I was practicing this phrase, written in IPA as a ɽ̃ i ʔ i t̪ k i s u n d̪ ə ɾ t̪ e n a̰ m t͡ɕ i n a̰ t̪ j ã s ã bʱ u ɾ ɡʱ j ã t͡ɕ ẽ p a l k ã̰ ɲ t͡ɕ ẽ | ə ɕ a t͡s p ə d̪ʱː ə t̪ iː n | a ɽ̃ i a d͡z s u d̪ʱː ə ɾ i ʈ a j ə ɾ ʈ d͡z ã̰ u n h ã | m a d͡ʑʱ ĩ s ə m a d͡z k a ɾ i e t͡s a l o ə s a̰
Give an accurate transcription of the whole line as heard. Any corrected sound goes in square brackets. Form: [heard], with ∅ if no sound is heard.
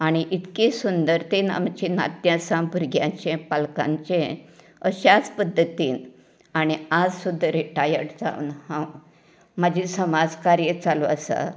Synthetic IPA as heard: a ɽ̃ i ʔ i t̪ k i s u n d̪ ə ɾ t̪ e n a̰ m t͡ɕ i n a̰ t̪ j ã s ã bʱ u ɾ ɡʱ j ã t͡ɕ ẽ p a l k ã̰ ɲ t͡ɕ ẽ | ə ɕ a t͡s p ə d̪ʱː ə t̪ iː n | a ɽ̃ i a d͡z s u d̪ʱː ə ɾ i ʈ a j ə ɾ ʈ d͡z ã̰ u n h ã | m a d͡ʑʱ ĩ s ə m a d͡z k a ɾ [j] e t͡s a l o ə s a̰